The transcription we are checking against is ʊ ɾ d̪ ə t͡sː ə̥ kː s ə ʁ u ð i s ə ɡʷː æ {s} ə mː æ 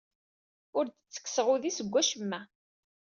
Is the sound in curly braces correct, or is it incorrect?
incorrect